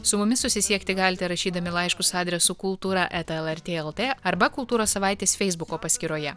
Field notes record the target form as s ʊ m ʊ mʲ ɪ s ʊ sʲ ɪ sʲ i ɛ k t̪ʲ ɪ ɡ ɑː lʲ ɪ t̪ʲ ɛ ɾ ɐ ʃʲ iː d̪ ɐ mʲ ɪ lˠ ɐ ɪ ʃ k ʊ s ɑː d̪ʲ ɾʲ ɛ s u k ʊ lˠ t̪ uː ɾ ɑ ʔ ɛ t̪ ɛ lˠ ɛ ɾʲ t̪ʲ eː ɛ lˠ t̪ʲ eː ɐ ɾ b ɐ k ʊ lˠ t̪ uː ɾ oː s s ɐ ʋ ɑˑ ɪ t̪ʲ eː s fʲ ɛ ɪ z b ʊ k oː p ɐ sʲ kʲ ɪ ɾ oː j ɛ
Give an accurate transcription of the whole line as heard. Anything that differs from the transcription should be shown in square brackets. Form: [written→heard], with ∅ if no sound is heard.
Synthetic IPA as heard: s ʊ m ʊ mʲ ɪ s ʊ sʲ ɪ sʲ i ɛ k t̪ʲ ɪ ɡ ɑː lʲ ɪ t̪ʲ ɛ ɾ ɐ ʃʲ iː d̪ ɐ mʲ ɪ lˠ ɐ ɪ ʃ k ʊ s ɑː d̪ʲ ɾʲ ɛ s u k ʊ lˠ t̪ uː ɾ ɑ ʔ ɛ t̪ ɛ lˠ ɛ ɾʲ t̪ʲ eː ɛ lˠ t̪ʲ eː ɐ ɾ b ɐ k ʊ lˠ t̪ uː ɾ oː s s ɐ ʋ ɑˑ ɪ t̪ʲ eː s fʲ ɛ ɪ z b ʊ k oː p ɐ sʲ kʲ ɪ ɾ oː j ɛ